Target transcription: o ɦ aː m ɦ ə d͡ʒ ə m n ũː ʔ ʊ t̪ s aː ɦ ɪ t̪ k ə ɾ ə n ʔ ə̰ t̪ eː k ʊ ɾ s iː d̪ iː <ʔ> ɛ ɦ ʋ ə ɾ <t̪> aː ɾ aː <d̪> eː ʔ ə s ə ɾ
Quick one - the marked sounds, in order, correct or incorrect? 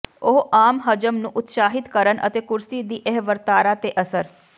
correct, correct, incorrect

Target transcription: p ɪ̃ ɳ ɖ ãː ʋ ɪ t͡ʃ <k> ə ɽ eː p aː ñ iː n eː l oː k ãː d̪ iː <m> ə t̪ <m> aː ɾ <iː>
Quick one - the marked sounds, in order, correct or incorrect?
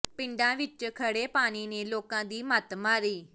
incorrect, correct, correct, correct

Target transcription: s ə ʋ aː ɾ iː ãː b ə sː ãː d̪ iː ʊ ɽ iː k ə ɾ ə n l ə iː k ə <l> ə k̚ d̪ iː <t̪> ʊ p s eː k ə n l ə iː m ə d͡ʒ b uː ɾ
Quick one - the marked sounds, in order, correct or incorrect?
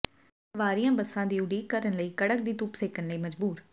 incorrect, correct

